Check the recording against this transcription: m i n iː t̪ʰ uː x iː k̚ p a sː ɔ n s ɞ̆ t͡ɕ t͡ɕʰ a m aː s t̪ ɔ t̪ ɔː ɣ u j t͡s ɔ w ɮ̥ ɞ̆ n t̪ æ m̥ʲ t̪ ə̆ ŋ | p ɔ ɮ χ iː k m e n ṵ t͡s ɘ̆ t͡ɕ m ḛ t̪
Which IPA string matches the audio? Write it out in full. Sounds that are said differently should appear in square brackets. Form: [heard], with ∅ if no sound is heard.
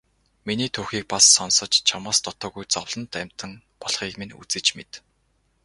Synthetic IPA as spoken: m i n iː t̪ʰ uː x iː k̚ p a sː ɔ n s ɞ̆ t͡ɕ t͡ɕʰ a m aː s t̪ ɔ t̪ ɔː ɣ u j t͡s ɔ w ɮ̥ ɞ̆ n t̪ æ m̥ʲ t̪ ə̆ ŋ | p ɔ ɮ χ iː k m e n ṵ t͡s ɘ̆ t͡ɕ m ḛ t̪